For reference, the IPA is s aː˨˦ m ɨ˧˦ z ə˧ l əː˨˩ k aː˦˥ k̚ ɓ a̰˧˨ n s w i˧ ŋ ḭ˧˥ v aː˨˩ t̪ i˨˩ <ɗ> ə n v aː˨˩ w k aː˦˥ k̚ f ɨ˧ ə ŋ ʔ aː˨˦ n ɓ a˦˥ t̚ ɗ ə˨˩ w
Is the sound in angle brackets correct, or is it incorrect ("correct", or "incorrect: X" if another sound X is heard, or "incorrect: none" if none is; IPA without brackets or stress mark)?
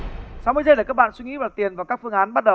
incorrect: none